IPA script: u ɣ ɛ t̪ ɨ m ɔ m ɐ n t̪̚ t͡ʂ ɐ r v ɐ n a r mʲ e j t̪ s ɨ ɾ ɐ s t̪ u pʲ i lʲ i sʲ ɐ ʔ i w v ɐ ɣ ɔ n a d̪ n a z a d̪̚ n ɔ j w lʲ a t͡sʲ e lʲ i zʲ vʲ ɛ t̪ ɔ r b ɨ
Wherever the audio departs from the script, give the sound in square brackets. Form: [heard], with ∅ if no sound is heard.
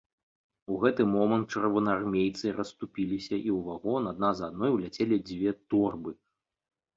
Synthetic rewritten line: u ɣ ɛ t̪ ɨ m ɔ m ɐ n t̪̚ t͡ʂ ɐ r v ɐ n a r mʲ e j t̪ s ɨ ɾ ɐ s t̪ u pʲ i lʲ i sʲ ɐ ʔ i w v [a] ɣ ɔ n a d̪ n a z a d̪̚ n ɔ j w lʲ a t͡sʲ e lʲ i [d͡zʲ] vʲ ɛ t̪ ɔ r b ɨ